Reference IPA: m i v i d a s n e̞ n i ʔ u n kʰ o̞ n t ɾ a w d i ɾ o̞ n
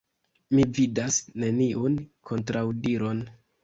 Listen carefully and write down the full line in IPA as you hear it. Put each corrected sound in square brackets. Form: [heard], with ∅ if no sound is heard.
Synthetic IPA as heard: m i v i d a s n e̞ n i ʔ u n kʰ o̞ n t ɾ a w d i ɾ o̞ n